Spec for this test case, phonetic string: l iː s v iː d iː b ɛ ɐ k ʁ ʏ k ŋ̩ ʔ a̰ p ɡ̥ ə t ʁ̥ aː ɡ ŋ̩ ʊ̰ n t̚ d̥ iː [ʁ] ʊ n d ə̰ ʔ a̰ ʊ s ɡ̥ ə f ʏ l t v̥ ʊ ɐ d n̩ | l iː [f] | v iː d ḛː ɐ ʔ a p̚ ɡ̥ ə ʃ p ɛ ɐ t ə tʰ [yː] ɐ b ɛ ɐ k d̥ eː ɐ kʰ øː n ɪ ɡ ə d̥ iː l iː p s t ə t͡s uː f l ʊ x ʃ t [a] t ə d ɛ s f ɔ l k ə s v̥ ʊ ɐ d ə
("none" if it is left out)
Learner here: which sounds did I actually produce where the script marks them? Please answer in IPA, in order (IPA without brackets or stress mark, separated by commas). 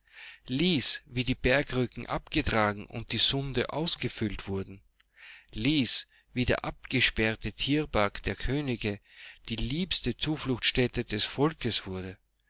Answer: z, s, iː, ɛ